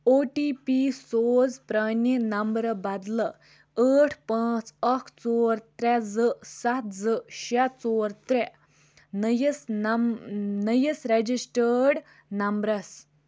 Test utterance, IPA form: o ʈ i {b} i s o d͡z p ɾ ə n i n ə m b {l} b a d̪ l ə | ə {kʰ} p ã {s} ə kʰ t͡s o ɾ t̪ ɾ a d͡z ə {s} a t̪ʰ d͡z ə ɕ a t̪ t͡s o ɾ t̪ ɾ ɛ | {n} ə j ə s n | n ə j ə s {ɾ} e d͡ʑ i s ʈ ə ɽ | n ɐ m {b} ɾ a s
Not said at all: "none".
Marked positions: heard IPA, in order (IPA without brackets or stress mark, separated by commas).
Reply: p, ɾ, ʈʰ, t͡s, s, n, ɾ, b